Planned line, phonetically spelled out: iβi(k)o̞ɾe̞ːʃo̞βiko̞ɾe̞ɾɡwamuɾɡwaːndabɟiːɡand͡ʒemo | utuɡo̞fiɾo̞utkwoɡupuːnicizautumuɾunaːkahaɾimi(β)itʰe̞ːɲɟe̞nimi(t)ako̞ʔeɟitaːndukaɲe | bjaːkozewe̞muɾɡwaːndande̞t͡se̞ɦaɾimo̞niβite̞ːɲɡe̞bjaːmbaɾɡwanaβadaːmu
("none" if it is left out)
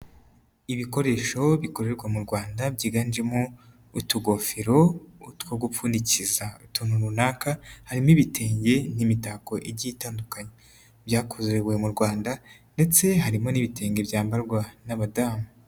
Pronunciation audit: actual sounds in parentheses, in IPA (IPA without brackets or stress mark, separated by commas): k, β, t